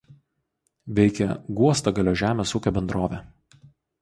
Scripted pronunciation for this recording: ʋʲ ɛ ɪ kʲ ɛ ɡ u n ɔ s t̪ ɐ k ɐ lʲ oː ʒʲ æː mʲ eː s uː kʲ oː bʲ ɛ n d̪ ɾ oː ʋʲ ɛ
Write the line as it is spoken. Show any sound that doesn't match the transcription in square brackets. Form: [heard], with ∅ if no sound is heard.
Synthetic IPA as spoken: ʋʲ ɛ ɪ kʲ ɛ ɡ u [∅] ɔ s t̪ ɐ [ɡ] ɐ lʲ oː ʒʲ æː mʲ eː s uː kʲ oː bʲ ɛ n d̪ ɾ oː ʋʲ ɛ

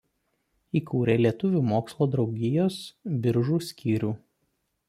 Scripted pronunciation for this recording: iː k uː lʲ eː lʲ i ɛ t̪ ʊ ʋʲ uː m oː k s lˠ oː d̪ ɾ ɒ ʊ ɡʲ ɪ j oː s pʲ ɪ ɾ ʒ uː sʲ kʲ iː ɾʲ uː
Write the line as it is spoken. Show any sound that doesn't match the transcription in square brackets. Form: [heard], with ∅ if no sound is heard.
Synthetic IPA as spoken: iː k uː [ɾʲ] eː lʲ i ɛ t̪ ʊ ʋʲ uː m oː k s lˠ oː d̪ ɾ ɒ ʊ ɡʲ ɪ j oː s [bʲ] ɪ ɾ ʒ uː sʲ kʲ iː ɾʲ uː

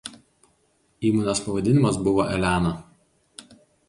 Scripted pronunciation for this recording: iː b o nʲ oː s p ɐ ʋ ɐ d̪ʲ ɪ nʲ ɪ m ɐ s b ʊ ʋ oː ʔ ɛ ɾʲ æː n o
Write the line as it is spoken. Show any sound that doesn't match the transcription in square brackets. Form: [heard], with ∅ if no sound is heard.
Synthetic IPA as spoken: iː [m] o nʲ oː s p ɐ ʋ ɐ d̪ʲ ɪ nʲ ɪ m ɐ s b ʊ ʋ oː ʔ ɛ [lʲ] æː n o

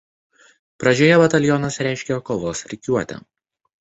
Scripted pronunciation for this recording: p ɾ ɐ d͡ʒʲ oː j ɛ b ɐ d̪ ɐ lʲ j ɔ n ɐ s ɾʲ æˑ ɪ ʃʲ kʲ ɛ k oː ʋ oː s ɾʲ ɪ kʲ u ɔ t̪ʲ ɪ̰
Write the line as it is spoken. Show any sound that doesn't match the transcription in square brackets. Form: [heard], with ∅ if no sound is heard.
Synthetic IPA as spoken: p ɾ ɐ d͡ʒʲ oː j ɛ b ɐ [t̪] ɐ lʲ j ɔ n ɐ s ɾʲ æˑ ɪ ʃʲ kʲ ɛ k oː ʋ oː s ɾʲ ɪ kʲ u ɔ t̪ʲ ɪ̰

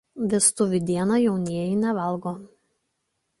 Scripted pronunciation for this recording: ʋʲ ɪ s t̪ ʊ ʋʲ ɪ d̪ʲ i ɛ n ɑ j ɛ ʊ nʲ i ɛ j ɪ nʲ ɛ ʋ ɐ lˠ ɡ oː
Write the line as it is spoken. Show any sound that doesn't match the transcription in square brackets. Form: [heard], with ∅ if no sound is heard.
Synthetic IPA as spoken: ʋʲ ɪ s t̪ ʊ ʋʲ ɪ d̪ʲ i ɛ n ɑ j ɛ ʊ nʲ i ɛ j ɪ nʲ ɛ ʋ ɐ lˠ ɡ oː

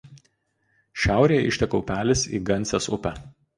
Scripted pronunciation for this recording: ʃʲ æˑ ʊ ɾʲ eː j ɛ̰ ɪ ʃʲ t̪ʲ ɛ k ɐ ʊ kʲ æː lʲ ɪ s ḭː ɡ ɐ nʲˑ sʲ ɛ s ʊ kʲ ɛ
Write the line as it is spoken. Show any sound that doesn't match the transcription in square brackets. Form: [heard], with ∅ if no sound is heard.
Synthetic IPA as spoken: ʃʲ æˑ ʊ ɾʲ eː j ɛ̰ ɪ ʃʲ t̪ʲ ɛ k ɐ ʊ [pʲ] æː lʲ ɪ s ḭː ɡ ɐ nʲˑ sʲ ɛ s ʊ [pʲ] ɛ

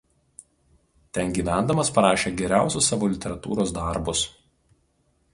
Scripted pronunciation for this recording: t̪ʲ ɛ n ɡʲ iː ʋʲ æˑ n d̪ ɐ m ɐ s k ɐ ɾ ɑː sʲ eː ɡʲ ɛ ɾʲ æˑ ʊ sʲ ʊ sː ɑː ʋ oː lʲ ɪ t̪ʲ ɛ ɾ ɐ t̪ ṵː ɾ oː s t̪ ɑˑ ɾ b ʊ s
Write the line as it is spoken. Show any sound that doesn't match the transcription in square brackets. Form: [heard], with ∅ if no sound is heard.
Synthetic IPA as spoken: t̪ʲ ɛ n ɡʲ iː ʋʲ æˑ n d̪ ɐ m ɐ s [p] ɐ ɾ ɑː [ʃʲ] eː ɡʲ ɛ ɾʲ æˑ ʊ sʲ ʊ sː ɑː ʋ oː lʲ ɪ t̪ʲ ɛ ɾ ɐ t̪ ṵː ɾ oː s [d̪] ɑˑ ɾ b ʊ s

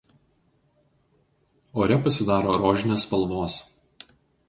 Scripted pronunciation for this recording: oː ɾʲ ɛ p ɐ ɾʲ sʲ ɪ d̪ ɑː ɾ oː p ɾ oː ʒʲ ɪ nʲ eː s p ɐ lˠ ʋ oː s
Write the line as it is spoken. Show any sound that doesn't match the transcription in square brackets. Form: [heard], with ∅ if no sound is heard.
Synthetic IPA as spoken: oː ɾʲ ɛ p ɐ [∅] sʲ ɪ d̪ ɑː ɾ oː [∅] ɾ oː ʒʲ ɪ nʲ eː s p ɐ lˠ ʋ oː s

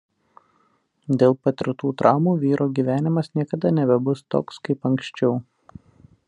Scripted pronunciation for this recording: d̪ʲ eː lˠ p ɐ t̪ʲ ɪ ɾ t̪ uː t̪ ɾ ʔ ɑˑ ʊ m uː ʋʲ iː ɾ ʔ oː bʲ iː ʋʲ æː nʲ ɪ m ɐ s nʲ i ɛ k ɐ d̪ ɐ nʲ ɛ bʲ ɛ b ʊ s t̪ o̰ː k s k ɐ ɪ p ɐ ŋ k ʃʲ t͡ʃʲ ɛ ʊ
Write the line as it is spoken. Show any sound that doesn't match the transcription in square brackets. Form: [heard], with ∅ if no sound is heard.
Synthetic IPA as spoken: d̪ʲ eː lˠ p ɐ t̪ʲ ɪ ɾ t̪ uː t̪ ɾ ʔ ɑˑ ʊ m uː ʋʲ iː ɾ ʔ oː [ɡʲ] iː ʋʲ æː nʲ ɪ m ɐ s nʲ i ɛ k ɐ d̪ ɐ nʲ ɛ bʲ ɛ b ʊ s t̪ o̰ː k s k ɐ ɪ p ɐ ŋ k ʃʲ t͡ʃʲ ɛ ʊ

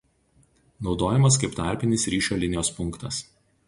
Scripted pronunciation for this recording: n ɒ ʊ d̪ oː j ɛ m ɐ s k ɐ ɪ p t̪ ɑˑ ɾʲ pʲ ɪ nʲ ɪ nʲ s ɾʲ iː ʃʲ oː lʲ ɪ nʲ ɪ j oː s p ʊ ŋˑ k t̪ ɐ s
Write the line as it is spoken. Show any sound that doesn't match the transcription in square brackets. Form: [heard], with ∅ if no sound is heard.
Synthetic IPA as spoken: n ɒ ʊ d̪ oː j ɛ m ɐ s k ɐ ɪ p t̪ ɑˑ ɾʲ pʲ ɪ nʲ ɪ [∅] s ɾʲ iː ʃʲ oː lʲ ɪ nʲ ɪ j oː s p ʊ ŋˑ k t̪ ɐ s

